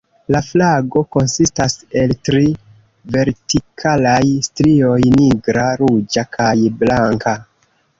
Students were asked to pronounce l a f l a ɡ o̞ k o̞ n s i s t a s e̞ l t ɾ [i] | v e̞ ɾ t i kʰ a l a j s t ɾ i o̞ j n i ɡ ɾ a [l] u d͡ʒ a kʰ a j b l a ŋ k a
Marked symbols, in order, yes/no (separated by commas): yes, no